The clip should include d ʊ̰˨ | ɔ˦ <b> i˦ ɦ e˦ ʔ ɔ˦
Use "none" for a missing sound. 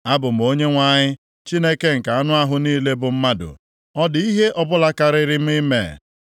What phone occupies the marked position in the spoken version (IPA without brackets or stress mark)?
d